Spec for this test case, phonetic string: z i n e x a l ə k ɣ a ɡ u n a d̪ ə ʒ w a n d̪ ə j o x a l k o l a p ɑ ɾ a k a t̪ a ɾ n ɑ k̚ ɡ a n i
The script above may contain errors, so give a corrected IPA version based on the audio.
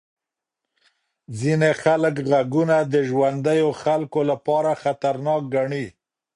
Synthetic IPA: z i n e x a l ə k ɣ a ɡ u n a d̪ ə ʒ w a n d̪ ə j o x a l k o l a p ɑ ɾ a x a t̪ a ɾ n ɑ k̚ ɡ a ɳ i